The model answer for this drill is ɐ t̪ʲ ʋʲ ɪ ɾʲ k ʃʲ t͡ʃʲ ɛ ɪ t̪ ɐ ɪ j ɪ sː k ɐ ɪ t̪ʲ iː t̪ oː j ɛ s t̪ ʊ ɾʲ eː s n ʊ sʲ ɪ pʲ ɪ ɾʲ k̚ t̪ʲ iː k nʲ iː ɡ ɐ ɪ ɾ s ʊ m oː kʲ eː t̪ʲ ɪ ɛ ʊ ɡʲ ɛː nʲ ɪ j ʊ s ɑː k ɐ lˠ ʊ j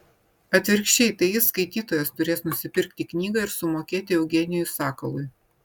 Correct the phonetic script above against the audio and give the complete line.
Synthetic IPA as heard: ɐ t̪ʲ ʋʲ ɪ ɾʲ k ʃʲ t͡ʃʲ ɛ ɪ t̪ ɐ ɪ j ɪ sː k ɐ ɪ t̪ʲ iː t̪ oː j ɛ s t̪ ʊ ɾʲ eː s n ʊ sʲ ɪ pʲ ɪ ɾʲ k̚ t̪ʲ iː k nʲ iː ɡ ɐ ɪ ɾ s ʊ m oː kʲ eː t̪ʲ ɪ ɛ ʊ ɡʲ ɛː nʲ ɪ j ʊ s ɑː k ɐ lˠ ʊ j

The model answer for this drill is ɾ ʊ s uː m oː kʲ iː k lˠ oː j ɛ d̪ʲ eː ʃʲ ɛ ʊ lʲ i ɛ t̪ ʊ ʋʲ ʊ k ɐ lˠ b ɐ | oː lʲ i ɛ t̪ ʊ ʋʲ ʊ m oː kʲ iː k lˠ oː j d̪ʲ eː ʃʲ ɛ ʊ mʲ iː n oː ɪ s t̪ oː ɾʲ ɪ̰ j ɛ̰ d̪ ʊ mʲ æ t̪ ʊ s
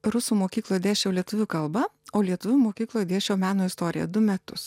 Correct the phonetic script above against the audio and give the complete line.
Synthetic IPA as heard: ɾ ʊ s uː m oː kʲ iː k lˠ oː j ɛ d̪ʲ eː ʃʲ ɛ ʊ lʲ i ɛ t̪ ʊ ʋʲ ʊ k ɐ lˠ b ɐ | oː lʲ i ɛ t̪ ʊ ʋʲ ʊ m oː kʲ iː k lˠ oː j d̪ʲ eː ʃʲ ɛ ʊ mʲ æː n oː ɪ s t̪ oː ɾʲ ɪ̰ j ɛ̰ d̪ ʊ mʲ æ t̪ ʊ s

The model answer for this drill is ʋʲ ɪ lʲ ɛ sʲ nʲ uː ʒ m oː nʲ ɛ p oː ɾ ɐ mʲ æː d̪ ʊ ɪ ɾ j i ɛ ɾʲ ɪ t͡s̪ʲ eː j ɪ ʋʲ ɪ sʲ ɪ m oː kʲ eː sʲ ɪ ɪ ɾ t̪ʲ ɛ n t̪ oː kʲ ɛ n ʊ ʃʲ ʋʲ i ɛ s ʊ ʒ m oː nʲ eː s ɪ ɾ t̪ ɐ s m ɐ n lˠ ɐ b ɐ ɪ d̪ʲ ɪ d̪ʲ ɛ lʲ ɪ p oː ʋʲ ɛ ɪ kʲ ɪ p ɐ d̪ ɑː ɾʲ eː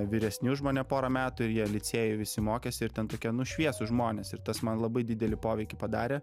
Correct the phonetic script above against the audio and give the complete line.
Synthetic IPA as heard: ʋʲ ɪ ɾʲ ɛ sʲ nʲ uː ʒ m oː nʲ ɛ p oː ɾ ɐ mʲ æː t̪ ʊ ɪ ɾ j i ɛ lʲ ɪ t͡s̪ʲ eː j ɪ ʋʲ ɪ sʲ ɪ m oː kʲ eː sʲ ɪ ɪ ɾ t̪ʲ ɛ n t̪ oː kʲ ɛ n ʊ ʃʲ ʋʲ i ɛ s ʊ ʒ m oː nʲ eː s ɪ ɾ t̪ ɐ s m ɐ n lˠ ɐ b ɐ ɪ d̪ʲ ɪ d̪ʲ ɛ lʲ ɪ p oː ʋʲ ɛ ɪ kʲ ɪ p ɐ d̪ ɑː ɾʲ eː

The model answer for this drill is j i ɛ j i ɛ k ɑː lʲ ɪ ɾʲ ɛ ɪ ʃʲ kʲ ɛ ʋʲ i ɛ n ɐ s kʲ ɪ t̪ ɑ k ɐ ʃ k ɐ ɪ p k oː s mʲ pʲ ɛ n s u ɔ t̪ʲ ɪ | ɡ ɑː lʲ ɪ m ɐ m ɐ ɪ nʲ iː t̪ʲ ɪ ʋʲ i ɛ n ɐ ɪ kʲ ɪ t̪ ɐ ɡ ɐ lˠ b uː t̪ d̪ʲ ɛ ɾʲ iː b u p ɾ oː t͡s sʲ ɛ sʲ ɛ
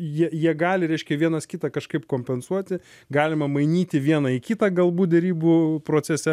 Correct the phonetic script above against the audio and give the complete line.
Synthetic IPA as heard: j i ɛ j i ɛ ɡ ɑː lʲ ɪ ɾʲ ɛ ɪ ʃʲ kʲ ɛ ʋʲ i ɛ n ɐ s kʲ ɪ t̪ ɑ k ɐ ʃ k ɐ ɪ p k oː mʲ pʲ ɛ n s u ɔ t̪ʲ ɪ | ɡ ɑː lʲ ɪ m ɐ m ɐ ɪ nʲ iː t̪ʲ ɪ ʋʲ i ɛ n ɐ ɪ kʲ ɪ t̪ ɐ ɡ ɐ lˠ b uː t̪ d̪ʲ ɛ ɾʲ iː b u p ɾ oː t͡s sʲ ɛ sʲ ɛ

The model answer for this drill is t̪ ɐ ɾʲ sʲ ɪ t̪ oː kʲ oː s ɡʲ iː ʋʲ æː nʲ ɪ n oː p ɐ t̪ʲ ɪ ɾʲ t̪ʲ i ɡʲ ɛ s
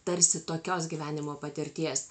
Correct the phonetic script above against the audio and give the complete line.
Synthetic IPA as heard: t̪ ɐ ɾʲ sʲ ɪ t̪ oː kʲ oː s ɡʲ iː ʋʲ æː nʲ ɪ m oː p ɐ t̪ʲ ɪ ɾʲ t̪ʲ i ɛ s

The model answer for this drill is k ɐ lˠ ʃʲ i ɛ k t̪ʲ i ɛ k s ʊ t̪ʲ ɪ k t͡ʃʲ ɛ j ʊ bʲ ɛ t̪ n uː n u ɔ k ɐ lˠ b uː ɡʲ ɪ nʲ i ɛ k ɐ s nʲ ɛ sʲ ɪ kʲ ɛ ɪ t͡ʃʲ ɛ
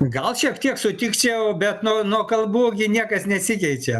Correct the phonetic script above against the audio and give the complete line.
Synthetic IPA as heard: ɡ ɐ lˠ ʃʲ i ɛ k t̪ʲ i ɛ k s ʊ t̪ʲ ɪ k t͡ʃʲ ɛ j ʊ bʲ ɛ t̪ n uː n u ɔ k ɐ lˠ b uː ɡʲ ɪ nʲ i ɛ k ɐ s nʲ ɛ sʲ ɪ kʲ ɛ ɪ t͡ʃʲ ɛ

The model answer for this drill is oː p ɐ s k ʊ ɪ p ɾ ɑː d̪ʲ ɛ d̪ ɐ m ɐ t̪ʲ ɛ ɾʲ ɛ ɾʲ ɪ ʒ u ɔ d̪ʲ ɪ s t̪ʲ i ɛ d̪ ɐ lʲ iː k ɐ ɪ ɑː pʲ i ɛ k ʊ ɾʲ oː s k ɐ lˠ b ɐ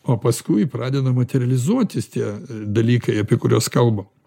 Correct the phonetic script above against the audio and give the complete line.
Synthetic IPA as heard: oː p ɐ s k ʊ ɪ p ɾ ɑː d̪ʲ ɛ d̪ ɐ m ɐ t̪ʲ ɛ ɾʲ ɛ lʲ ɪ z u ɔ t̪ʲ ɪ s t̪ʲ i ɛ d̪ ɐ lʲ iː k ɐ ɪ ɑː pʲ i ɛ k ʊ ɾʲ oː s k ɐ lˠ b ɐ

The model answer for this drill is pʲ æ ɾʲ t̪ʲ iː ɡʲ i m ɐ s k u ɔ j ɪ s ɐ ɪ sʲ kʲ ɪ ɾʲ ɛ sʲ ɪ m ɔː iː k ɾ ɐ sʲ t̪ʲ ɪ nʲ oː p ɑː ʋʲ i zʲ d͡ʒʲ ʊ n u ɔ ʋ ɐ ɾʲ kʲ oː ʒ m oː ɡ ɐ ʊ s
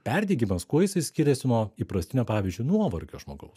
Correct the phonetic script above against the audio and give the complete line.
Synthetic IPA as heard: pʲ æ ɾʲ d̪ʲ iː ɡʲ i m ɐ s k u ɔ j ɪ s ɐ ɪ sʲ kʲ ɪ ɾʲ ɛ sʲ ɪ n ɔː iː p ɾ ɐ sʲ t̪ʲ ɪ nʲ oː p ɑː ʋʲ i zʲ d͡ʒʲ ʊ n u ɔ ʋ ɐ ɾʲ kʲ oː ʒ m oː ɡ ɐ ʊ s

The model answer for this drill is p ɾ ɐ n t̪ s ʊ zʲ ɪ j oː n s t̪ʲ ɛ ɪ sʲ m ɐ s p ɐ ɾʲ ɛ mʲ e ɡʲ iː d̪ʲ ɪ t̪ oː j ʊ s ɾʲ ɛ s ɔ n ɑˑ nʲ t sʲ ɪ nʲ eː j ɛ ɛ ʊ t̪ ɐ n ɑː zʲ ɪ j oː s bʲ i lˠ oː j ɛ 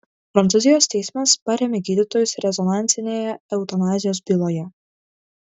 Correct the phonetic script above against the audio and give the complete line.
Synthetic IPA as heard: p ɾ ɐ n t̪ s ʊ zʲ ɪ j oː s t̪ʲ ɛ ɪ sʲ m ɐ s p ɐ ɾʲ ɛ mʲ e ɡʲ iː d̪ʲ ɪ t̪ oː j ʊ s ɾʲ ɛ z ɔ n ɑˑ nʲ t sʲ ɪ nʲ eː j ɛ ɛ ʊ t̪ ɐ n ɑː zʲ ɪ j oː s bʲ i lˠ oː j ɛ

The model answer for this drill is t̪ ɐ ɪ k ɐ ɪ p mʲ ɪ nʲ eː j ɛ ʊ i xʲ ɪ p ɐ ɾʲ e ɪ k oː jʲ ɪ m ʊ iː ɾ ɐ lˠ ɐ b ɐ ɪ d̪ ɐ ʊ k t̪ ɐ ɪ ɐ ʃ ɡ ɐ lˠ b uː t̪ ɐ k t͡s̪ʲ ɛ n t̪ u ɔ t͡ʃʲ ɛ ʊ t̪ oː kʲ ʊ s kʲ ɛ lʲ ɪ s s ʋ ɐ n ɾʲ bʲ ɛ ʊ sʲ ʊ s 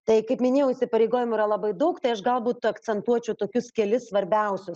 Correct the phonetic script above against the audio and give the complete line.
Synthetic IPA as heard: t̪ ɐ ɪ k ɐ ɪ p mʲ ɪ nʲ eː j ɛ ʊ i sʲ ɪ p ɐ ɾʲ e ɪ ɡ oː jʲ ɪ m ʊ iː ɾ ɐ lˠ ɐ b ɐ ɪ d̪ ɐ ʊ k t̪ ɐ ɪ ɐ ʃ ɡ ɐ lˠ b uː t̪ ɐ k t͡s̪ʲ ɛ n t̪ u ɔ t͡ʃʲ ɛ ʊ t̪ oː kʲ ʊ s kʲ ɛ lʲ ɪ s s ʋ ɐ ɾʲ bʲ ɛ ʊ sʲ ʊ s

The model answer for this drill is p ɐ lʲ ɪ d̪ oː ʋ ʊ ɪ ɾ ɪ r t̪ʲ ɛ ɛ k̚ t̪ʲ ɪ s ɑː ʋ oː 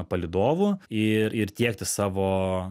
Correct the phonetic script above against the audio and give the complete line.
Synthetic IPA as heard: p ɐ lʲ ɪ d̪ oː ʋ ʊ ɪ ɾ ɪ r t̪ʲ i ɛ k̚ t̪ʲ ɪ s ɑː ʋ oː

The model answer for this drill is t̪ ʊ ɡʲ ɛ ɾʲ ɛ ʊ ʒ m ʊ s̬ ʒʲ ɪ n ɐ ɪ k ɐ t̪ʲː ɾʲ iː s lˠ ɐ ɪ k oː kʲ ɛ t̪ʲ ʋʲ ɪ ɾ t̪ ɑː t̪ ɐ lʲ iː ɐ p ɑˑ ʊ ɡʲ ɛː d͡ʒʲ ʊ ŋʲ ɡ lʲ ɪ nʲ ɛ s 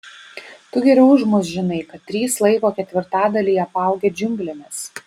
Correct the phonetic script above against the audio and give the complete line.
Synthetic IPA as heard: t̪ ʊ ɡʲ ɛ ɾʲ ɛ ʊ ʒ m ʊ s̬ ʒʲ ɪ n ɐ ɪ k ɐ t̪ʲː ɾʲ iː s lˠ ɐ ɪ k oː kʲ ɛ t̪ʲ ʋʲ ɪ ɾ t̪ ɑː d̪ ɐ lʲ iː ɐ p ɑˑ ʊ ɡʲ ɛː d͡ʒʲ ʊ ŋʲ ɡ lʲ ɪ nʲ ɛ s

